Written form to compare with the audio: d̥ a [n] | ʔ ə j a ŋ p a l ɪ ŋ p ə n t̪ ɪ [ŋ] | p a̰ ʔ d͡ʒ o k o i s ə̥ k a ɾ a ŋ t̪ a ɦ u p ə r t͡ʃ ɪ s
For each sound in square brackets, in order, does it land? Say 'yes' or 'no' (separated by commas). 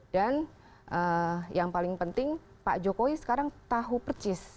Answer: yes, yes